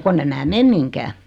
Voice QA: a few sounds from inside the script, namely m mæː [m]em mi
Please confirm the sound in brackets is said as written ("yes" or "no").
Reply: yes